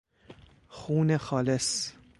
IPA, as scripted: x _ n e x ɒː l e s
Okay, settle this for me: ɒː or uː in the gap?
uː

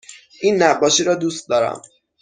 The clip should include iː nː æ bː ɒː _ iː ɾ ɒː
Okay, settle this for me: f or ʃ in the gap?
ʃ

